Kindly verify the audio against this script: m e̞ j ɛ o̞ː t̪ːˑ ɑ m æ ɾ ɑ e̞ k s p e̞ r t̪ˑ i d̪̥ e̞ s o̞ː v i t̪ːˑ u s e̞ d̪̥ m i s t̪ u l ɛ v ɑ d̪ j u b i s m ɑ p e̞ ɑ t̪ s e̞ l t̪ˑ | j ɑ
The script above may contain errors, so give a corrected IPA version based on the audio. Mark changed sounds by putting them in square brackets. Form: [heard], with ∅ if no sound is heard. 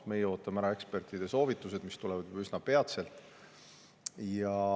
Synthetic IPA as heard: m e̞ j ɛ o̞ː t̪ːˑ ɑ m æ ɾ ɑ e̞ k s p e̞ r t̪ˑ i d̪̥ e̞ s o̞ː v i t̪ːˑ u s e̞ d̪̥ m i s t̪ u l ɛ v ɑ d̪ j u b [y] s [n] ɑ p e̞ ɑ t̪ s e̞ l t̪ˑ | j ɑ